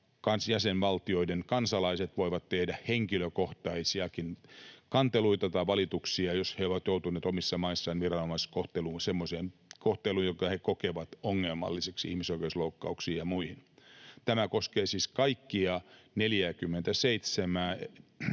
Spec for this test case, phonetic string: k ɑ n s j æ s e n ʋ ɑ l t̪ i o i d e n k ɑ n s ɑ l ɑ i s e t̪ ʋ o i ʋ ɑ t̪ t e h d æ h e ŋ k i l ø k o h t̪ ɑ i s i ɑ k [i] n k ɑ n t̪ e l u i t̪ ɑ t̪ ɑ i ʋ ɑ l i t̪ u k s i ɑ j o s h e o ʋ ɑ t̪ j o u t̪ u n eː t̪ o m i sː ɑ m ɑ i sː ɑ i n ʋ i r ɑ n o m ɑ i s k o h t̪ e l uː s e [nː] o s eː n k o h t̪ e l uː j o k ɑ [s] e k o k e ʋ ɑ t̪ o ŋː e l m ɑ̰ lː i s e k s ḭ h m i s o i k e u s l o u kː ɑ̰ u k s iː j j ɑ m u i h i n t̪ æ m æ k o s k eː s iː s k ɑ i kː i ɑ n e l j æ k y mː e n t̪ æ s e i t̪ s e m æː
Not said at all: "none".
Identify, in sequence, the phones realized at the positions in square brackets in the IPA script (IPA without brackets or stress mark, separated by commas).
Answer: i, mː, h